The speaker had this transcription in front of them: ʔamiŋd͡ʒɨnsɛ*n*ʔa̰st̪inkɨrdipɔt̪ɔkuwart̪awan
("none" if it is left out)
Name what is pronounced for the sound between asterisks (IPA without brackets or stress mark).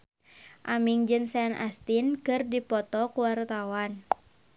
n